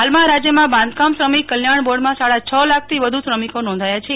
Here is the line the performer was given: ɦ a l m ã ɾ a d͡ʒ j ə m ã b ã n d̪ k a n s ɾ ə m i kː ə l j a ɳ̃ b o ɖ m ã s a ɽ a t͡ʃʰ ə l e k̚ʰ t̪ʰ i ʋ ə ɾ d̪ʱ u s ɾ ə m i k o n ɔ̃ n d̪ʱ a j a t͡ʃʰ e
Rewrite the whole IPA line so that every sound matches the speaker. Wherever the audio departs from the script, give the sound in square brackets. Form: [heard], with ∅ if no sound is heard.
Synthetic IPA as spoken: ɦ a l m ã ɾ a d͡ʒ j ə m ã b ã n d̪ k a [m] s ɾ ə m i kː ə l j a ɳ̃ b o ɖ m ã s a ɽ a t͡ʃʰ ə l [a] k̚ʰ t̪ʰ i ʋ ə [∅] d̪ʱ u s ɾ ə m i k o n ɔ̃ n d̪ʱ a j a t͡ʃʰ e